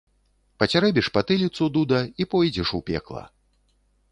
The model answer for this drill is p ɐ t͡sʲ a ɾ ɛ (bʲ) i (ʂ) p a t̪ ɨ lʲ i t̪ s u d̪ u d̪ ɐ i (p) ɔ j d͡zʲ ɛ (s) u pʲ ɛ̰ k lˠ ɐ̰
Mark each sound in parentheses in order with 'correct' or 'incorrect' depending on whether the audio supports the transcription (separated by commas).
correct, correct, correct, incorrect